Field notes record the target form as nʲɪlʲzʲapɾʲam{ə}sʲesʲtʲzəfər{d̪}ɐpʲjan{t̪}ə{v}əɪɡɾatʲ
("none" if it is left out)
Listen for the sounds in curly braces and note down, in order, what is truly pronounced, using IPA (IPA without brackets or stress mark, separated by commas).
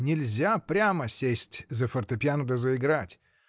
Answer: ə, t̪, d̪, z